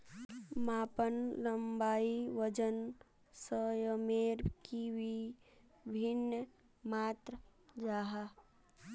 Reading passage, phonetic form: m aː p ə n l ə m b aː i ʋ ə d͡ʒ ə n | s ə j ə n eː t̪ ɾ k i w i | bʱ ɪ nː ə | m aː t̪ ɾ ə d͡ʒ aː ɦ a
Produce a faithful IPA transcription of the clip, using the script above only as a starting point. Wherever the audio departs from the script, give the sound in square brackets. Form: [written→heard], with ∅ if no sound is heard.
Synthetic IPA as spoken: m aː p ə n l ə m b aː i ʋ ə d͡ʒ ə n | s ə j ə [n→m] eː [t̪→∅] ɾ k i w i | bʱ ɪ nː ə | m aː t̪ ɾ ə d͡ʒ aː ɦ a